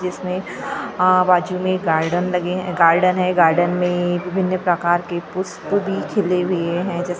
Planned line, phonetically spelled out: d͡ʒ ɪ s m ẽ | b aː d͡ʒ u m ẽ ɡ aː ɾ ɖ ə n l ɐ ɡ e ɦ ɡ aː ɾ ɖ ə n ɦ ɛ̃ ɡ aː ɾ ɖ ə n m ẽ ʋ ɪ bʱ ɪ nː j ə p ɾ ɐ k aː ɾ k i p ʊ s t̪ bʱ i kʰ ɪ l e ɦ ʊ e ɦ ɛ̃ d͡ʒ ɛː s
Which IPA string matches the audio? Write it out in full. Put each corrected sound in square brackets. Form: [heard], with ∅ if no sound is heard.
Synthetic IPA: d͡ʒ ɪ s m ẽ | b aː d͡ʒ u m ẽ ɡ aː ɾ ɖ ə n l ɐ ɡ e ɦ ɡ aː ɾ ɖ ə n ɦ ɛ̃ ɡ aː ɾ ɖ ə n m ẽ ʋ ɪ bʱ ɪ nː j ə p ɾ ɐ k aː ɾ k [e] p ʊ s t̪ bʱ i kʰ ɪ l e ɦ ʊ e ɦ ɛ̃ d͡ʒ ɛː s